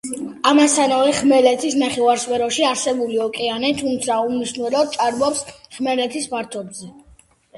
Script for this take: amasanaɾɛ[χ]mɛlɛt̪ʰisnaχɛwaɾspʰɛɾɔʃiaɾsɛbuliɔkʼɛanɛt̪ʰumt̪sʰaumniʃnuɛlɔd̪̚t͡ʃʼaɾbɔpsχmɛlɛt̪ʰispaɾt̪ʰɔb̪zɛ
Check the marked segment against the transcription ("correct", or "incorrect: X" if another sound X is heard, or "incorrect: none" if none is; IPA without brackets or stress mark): correct